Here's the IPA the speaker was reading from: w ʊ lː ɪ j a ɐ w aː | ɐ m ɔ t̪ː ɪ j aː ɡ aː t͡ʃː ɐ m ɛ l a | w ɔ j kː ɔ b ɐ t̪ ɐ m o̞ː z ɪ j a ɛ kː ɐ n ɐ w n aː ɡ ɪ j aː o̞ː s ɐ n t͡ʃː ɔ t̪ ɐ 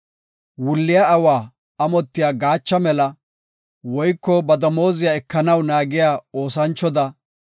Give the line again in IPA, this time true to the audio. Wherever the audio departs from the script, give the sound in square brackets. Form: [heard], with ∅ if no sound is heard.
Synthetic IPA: w ʊ lː ɪ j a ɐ w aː | ɐ m ɔ t̪ː ɪ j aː ɡ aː t͡ʃː ɐ m ɛ l [ɐ] | w ɔ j kː ɔ b ɐ [d̪] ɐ m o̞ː z ɪ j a ɛ kː ɐ n ɐ w n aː ɡ ɪ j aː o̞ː s ɐ n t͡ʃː ɔ [d̪] ɐ